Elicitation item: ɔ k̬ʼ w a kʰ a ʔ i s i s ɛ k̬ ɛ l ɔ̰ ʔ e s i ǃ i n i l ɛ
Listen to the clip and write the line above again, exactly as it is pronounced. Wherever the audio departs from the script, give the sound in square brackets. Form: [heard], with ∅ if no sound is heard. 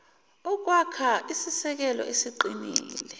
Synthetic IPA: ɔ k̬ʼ w a kʰ a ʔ i s i s ɛ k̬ ɛ l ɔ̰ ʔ e s i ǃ i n [iː] l ɛ